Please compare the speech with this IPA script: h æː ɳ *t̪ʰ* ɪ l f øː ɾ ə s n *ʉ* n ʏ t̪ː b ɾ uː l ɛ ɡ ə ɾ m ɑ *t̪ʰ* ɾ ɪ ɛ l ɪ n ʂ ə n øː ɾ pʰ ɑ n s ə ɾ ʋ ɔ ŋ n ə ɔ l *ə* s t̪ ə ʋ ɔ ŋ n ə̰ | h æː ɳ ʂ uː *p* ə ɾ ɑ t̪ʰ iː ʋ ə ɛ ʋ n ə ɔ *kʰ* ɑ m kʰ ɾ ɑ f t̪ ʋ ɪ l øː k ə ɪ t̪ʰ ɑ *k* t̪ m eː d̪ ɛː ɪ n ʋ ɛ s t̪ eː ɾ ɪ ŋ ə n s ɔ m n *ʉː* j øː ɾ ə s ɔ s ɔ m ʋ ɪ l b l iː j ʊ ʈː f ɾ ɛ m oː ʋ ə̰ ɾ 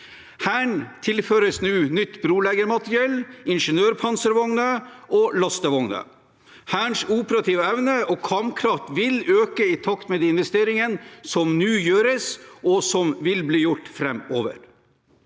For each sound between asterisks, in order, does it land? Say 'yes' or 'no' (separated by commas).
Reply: yes, no, no, no, yes, yes, yes, yes